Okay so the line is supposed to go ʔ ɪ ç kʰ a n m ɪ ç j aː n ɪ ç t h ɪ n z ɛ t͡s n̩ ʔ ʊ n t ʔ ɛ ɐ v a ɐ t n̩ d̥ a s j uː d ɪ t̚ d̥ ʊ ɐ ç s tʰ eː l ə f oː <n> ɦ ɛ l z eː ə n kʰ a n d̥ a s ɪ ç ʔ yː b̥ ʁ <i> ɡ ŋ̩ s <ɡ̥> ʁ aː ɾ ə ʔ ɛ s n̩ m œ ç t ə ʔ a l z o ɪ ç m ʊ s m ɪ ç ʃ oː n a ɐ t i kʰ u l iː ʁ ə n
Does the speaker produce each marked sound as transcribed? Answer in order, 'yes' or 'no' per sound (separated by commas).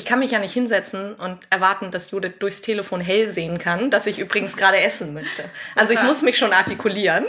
yes, no, yes